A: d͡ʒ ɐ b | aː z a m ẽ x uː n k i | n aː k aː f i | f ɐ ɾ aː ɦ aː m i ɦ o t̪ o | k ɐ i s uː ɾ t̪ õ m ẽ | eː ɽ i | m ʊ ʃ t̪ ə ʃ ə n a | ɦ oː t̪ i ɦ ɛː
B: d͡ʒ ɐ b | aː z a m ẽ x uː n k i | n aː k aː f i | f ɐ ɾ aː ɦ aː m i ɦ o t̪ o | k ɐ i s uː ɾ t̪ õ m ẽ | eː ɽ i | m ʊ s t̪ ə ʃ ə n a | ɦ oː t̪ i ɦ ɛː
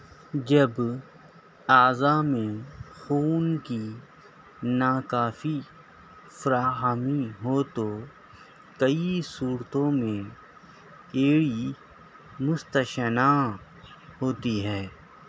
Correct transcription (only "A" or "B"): B